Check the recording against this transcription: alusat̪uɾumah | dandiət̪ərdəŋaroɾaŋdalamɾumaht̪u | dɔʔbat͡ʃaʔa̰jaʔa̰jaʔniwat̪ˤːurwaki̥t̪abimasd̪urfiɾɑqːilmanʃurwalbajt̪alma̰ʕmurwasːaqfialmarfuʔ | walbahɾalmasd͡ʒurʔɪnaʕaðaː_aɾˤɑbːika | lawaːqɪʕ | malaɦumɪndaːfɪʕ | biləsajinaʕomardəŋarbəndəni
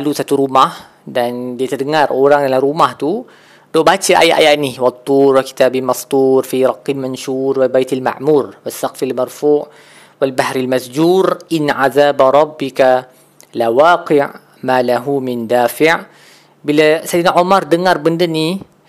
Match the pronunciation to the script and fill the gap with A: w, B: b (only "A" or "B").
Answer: B